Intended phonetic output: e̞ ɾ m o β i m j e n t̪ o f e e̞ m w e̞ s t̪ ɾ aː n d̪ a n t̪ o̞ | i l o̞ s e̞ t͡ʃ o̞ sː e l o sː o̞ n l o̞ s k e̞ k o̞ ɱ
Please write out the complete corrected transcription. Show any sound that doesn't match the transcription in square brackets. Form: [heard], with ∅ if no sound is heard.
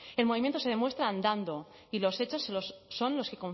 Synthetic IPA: e̞ [l] m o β i m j e n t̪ o [s] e e̞ m w e̞ s t̪ ɾ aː n d̪ a n [d̪] o̞ | i l o̞ s e̞ t͡ʃ o̞ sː e l o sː o̞ n l o̞ s k e̞ k o̞ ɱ